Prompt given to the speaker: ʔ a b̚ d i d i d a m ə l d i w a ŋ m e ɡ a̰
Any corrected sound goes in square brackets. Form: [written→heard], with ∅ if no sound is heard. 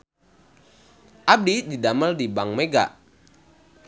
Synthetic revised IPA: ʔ a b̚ d i d i d a m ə l d i [w→b] a ŋ m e ɡ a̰